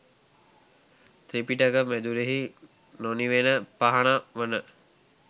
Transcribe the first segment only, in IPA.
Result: t̪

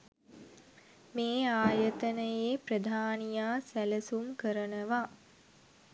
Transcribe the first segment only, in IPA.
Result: m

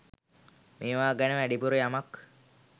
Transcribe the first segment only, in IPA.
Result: m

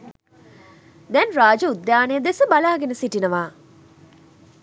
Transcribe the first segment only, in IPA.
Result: d̪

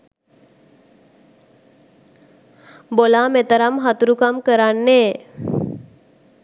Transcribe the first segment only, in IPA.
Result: b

